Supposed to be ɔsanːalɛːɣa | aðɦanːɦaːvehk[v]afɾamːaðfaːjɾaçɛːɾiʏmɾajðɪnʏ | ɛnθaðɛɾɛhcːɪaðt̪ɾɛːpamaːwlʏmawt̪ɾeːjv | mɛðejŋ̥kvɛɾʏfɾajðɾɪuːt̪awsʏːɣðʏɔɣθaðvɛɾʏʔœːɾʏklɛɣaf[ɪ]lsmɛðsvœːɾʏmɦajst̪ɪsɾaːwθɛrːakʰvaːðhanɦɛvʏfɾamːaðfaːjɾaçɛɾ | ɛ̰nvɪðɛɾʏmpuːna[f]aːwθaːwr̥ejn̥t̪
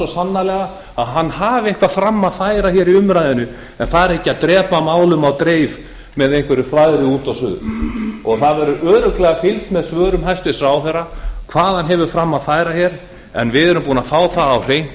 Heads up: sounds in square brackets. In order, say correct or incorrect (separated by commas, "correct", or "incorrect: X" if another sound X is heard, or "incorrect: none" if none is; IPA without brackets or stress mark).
correct, correct, correct